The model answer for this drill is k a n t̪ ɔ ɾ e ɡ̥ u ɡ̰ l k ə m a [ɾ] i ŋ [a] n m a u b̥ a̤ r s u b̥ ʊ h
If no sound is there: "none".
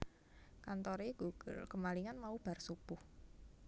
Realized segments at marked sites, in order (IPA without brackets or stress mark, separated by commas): l, a